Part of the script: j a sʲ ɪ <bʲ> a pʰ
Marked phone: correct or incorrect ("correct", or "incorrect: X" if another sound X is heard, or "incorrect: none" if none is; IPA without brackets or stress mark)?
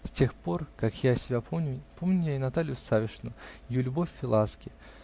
correct